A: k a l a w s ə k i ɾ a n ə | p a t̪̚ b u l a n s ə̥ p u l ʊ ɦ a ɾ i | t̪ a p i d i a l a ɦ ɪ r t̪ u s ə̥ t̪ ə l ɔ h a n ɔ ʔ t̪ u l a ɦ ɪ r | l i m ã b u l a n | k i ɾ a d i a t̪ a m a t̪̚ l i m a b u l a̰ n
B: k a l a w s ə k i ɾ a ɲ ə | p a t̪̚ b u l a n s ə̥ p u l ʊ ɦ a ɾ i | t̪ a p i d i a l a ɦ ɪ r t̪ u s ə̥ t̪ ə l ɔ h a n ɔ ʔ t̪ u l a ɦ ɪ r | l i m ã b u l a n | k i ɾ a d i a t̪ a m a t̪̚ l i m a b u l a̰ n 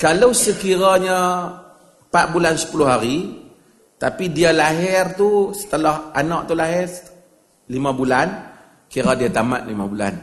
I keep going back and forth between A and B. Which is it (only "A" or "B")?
B